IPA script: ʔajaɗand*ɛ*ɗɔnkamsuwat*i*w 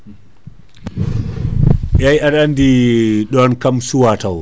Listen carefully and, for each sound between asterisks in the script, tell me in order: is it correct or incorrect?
incorrect, incorrect

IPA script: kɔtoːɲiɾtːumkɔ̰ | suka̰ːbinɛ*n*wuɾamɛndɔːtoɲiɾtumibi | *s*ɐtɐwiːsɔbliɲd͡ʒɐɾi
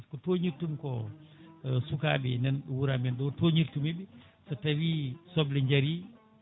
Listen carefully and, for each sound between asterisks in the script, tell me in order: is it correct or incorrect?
correct, correct

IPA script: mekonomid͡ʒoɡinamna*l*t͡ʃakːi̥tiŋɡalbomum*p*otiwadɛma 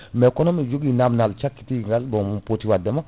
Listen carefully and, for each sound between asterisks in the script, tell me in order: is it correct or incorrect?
correct, correct

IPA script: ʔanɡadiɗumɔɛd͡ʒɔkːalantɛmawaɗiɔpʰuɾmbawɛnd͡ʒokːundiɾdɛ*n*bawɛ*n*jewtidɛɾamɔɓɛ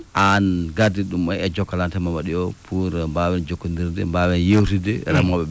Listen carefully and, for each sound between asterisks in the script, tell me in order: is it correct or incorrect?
incorrect, correct

